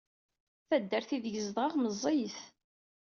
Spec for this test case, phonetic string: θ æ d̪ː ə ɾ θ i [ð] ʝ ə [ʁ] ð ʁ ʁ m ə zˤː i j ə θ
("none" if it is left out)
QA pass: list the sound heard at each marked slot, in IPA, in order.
ð, z

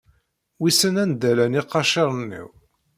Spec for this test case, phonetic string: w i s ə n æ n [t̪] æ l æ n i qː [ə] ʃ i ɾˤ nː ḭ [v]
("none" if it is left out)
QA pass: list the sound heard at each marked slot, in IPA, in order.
d̪, ɑ, w

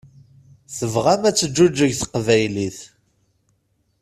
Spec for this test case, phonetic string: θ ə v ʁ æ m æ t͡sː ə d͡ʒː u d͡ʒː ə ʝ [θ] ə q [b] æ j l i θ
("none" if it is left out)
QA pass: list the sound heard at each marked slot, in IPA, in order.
θ, v

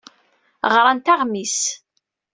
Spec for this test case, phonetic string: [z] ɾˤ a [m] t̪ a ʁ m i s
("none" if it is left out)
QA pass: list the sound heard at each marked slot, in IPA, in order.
ʁ, n

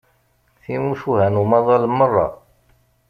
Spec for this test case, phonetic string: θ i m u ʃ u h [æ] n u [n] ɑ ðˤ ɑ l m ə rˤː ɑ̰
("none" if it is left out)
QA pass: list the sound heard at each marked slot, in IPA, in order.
æ, m

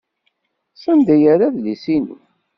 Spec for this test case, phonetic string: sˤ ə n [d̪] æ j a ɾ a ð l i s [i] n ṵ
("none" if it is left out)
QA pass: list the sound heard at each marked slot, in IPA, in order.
d̪, i

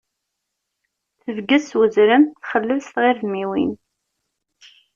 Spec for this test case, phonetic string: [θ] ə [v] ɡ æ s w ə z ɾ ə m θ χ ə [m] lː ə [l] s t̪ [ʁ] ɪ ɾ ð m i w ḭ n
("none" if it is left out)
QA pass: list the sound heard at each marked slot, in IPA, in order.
θ, v, none, l, ʁ

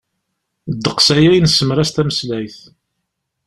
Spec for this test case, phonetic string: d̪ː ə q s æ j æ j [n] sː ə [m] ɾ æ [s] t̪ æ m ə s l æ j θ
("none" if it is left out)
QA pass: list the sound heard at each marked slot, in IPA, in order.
n, m, s

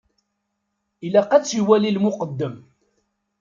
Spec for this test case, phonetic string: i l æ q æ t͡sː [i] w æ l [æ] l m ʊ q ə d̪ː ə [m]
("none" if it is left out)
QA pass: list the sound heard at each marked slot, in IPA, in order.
i, i, m

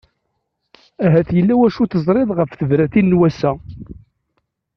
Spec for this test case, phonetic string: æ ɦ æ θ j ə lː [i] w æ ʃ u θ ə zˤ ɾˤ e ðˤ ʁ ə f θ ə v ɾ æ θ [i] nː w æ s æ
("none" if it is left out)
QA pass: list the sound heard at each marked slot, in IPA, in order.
æ, i

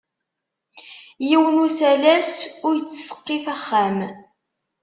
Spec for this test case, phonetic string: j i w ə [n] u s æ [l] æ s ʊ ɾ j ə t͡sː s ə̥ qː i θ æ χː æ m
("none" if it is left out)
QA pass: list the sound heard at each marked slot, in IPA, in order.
n, l

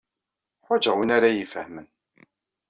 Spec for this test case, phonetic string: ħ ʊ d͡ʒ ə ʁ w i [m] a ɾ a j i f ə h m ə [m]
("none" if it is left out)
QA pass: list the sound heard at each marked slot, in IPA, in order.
n, n

